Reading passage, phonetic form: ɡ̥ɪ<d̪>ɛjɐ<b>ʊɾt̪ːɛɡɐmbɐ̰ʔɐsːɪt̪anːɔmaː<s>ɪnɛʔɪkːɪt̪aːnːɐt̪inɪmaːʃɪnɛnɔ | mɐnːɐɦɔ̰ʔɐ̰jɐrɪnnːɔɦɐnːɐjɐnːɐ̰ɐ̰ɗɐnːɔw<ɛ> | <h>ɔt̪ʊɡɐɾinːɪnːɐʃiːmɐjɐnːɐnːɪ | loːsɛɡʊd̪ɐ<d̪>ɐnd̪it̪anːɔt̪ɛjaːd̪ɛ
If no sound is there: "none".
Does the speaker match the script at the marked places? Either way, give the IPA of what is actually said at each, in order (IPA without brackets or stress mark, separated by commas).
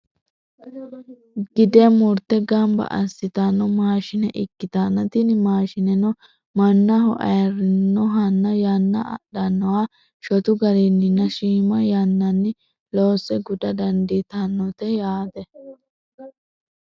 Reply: d̪, m, ʃ, a, ʃ, d̪